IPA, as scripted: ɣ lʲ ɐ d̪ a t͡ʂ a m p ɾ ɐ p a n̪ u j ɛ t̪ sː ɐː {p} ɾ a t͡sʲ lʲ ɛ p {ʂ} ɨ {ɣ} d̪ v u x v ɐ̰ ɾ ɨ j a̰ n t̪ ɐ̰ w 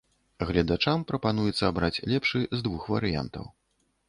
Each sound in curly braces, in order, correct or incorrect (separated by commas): incorrect, correct, incorrect